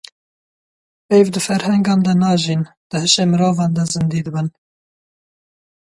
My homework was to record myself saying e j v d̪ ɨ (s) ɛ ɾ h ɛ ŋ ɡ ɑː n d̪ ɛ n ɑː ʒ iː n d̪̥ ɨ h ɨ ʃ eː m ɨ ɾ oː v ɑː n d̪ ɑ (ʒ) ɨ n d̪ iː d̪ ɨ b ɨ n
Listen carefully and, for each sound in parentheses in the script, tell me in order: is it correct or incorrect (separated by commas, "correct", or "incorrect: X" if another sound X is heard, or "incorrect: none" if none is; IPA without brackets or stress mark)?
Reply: incorrect: f, incorrect: z